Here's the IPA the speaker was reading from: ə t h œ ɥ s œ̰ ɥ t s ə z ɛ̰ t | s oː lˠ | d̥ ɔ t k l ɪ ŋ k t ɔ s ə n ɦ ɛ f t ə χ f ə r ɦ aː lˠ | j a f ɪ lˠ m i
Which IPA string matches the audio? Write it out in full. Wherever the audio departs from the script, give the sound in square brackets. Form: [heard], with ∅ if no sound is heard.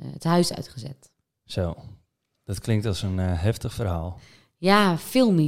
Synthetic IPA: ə t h œ ɥ s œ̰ ɥ t [χ] ə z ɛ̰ t | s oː [∅] | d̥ ɔ t k l ɪ ŋ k t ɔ s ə n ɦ ɛ f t ə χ f ə r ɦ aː lˠ | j a f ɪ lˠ m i